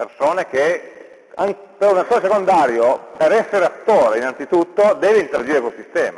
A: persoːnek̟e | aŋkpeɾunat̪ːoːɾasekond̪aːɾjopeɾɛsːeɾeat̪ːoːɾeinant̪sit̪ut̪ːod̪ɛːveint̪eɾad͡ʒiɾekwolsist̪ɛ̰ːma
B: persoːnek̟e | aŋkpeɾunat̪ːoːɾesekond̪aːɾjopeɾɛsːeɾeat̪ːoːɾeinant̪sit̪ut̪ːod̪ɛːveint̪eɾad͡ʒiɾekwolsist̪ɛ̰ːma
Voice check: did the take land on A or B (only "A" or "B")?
B